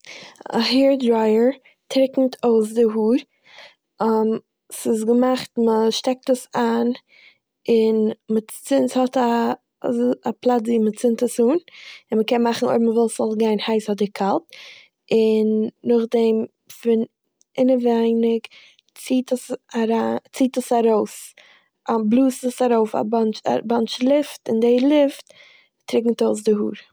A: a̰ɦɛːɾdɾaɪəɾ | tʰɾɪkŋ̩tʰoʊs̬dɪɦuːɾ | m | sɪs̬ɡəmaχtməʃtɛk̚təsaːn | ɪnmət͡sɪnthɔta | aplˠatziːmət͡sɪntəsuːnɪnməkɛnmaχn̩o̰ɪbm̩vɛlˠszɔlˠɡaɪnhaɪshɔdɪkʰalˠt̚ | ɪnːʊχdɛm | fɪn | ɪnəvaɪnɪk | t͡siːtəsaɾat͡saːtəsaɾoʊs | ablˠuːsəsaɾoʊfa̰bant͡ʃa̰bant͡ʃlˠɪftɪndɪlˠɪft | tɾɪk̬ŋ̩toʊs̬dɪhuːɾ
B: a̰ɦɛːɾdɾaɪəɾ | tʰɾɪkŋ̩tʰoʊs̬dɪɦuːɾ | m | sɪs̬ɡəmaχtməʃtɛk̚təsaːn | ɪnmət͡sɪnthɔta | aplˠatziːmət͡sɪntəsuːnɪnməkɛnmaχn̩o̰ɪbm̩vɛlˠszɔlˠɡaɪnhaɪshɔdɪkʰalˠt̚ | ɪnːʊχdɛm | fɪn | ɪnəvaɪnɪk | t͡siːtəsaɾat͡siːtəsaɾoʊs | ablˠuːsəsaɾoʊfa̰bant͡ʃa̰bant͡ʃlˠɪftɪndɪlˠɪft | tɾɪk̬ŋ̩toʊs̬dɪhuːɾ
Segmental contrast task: B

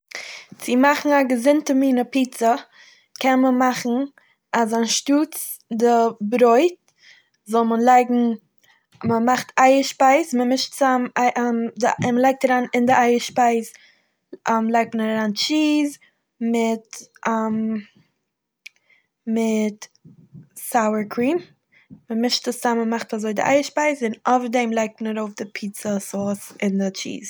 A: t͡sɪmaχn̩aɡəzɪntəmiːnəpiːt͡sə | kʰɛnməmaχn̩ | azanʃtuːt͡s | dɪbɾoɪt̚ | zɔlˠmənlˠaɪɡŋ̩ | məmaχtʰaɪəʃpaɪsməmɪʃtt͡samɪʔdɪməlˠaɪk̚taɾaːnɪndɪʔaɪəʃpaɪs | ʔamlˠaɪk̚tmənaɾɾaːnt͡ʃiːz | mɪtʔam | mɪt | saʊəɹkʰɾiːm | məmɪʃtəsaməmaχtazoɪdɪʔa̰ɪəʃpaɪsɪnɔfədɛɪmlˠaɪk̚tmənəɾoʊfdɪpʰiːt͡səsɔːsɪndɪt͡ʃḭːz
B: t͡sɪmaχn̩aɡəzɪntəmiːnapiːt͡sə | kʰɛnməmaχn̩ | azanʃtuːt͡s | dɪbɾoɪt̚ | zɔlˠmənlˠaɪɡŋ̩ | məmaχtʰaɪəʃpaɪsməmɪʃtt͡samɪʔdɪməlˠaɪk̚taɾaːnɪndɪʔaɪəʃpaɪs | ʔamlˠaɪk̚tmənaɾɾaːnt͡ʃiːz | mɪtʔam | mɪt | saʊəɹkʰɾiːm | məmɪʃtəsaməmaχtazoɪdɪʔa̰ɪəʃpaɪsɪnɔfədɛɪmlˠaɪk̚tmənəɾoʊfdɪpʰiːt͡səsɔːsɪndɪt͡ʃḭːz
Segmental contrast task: A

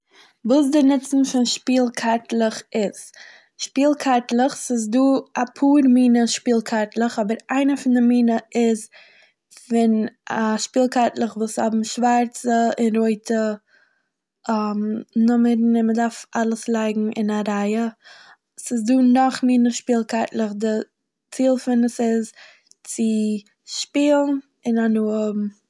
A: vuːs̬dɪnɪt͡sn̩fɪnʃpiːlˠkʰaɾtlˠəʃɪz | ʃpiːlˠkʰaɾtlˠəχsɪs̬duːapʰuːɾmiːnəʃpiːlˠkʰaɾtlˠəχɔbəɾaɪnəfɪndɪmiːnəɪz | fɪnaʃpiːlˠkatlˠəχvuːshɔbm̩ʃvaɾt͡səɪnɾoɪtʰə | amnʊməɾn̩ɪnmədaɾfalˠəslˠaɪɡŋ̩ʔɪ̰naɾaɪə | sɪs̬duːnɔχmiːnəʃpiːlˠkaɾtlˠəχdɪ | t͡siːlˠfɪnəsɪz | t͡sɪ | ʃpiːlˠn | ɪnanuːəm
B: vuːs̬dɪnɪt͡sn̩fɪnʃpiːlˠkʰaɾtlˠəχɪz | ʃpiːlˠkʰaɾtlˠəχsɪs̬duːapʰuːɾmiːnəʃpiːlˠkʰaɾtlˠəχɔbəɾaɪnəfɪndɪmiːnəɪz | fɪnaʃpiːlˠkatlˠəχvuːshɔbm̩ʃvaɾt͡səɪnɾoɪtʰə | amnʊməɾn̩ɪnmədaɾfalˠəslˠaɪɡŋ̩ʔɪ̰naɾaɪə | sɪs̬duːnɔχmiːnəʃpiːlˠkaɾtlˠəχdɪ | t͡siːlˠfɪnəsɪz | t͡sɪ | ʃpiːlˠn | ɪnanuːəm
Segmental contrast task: B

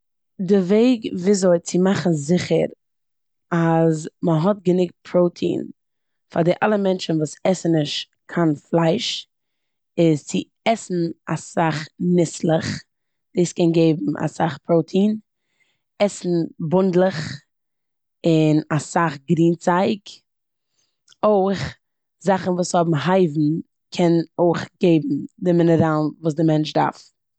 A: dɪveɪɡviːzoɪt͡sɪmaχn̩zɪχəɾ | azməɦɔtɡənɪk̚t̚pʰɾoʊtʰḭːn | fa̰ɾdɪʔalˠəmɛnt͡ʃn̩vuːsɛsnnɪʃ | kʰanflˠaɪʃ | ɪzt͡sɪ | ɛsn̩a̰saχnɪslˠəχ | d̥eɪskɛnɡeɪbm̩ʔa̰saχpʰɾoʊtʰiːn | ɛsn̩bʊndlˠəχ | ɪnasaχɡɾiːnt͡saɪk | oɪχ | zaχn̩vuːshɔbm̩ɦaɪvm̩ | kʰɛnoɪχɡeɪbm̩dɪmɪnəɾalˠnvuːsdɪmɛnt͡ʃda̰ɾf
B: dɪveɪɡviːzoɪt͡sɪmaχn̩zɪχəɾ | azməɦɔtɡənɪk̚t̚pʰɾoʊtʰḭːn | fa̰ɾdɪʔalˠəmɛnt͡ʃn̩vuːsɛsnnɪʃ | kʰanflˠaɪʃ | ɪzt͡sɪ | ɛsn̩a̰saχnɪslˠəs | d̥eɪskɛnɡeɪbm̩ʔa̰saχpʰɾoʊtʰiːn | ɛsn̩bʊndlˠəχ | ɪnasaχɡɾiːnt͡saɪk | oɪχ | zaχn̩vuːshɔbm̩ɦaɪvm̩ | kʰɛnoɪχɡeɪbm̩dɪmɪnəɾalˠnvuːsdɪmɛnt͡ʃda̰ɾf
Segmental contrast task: A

